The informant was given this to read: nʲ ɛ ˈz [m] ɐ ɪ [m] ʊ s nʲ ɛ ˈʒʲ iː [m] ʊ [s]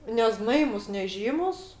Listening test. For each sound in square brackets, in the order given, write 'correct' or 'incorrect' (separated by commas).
incorrect, correct, correct, correct